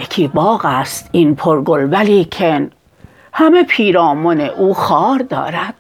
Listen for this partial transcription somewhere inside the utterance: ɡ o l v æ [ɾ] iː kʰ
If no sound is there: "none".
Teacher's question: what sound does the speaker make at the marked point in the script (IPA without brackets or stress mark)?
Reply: l